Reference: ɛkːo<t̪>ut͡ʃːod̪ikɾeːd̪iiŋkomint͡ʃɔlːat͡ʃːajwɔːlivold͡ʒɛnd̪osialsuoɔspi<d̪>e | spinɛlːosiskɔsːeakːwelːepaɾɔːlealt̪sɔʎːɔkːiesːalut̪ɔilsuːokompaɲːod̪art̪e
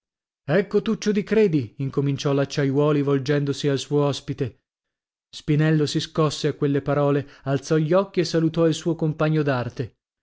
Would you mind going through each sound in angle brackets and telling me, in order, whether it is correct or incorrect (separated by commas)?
correct, incorrect